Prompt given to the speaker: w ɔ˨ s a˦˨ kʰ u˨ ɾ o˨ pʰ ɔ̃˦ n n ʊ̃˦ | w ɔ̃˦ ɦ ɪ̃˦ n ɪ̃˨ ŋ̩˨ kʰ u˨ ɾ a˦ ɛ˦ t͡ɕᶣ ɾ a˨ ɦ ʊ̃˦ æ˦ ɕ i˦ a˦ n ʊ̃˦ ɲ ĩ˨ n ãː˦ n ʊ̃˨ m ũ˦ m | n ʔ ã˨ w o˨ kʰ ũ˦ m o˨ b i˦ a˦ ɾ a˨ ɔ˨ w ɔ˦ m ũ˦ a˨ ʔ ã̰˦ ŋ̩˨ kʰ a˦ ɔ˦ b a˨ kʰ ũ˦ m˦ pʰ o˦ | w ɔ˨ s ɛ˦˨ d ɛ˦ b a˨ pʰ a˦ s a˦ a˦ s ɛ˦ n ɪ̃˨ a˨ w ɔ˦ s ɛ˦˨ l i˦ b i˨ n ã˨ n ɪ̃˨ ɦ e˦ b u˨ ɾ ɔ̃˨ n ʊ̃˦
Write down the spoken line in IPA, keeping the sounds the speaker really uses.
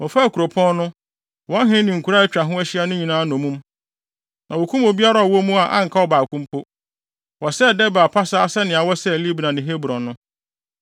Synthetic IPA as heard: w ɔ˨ f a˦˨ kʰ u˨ ɾ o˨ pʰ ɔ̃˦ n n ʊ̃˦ | w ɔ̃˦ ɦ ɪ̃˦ n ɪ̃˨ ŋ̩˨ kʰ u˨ ɾ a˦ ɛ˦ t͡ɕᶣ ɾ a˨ ɦ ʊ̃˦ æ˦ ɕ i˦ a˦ n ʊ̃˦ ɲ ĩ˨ n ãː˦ n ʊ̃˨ m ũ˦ m | n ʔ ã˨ w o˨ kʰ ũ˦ m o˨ b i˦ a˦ ɾ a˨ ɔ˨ w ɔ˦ m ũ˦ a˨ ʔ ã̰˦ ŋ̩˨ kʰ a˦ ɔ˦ b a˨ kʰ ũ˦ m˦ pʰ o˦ | w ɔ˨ s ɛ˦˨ d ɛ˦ b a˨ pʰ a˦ s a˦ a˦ s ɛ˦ n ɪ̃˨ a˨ w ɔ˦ s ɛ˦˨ l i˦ b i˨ n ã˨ n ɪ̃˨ ɦ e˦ b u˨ ɾ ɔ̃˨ n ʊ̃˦